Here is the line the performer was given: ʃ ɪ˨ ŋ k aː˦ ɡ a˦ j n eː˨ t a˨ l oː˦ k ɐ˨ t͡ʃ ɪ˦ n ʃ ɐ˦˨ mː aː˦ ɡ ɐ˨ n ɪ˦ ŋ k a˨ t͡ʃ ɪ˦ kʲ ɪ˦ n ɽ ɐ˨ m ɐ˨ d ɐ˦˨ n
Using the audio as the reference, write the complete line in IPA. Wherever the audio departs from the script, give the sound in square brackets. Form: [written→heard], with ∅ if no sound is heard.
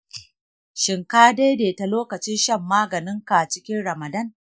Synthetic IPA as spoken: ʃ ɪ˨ ŋ k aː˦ [ɡ→d] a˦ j [n→d] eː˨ t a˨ l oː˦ k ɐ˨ t͡ʃ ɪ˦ n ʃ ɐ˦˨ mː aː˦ ɡ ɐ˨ n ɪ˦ ŋ k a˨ t͡ʃ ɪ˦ kʲ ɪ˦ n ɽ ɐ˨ m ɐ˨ d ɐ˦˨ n